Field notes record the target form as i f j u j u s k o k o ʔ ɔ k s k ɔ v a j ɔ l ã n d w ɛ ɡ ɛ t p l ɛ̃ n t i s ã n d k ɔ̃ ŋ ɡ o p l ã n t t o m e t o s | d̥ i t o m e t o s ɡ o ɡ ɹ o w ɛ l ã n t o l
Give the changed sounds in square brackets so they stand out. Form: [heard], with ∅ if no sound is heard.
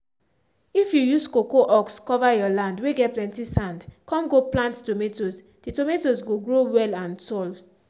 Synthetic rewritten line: i f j u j u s k o k o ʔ ɔ k s k ɔ v a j ɔ l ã n d w [e] ɡ ɛ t p l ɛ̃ n t i s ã n d k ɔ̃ [m] ɡ o p l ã n t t o m e t o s | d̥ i t o m e t o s ɡ o ɡ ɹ o w ɛ l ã n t [ɔ] l